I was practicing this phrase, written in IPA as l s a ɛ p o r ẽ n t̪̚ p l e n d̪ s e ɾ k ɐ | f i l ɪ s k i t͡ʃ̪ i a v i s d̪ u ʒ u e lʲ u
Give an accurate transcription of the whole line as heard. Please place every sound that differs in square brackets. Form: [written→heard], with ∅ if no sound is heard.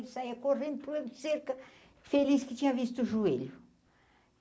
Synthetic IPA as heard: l s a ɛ [p→k] o r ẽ n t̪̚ p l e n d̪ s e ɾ k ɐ | f [i→e] l [ɪ→i] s k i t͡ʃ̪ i a v i s [d̪→t̪] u ʒ u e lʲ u